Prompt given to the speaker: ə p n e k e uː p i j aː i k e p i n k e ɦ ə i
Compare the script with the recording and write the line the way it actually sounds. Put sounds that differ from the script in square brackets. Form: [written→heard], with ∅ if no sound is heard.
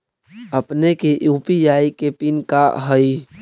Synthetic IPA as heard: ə p n e k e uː p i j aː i k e p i n k [e→a] ɦ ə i